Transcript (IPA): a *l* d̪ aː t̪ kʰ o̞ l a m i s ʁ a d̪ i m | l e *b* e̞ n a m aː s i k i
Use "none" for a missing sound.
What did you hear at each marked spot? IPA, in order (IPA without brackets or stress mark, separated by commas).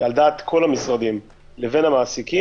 l, v